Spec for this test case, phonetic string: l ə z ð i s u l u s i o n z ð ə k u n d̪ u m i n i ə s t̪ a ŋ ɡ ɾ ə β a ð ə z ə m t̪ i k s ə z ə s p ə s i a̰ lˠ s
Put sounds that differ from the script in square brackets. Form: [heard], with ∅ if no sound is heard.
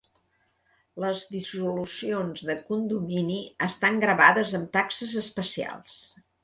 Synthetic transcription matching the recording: l ə z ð i s u l u s i o n z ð ə k u n d̪ u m i n i ə s t̪ a ŋ ɡ ɾ ə β a ð ə z ə m t̪ [a] k s ə z ə s p ə s i a̰ lˠ s